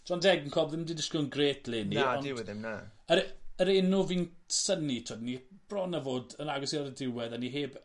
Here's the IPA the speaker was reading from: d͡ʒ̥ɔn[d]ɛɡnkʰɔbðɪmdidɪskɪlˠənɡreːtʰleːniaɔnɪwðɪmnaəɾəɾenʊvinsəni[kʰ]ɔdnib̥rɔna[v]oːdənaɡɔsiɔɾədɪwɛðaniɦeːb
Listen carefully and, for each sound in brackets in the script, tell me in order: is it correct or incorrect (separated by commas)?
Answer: correct, incorrect, correct